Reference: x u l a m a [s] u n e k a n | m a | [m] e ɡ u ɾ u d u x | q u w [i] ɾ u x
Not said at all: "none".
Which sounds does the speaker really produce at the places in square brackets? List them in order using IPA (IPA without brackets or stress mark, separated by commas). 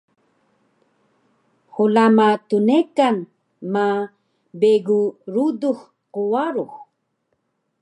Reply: t, b, a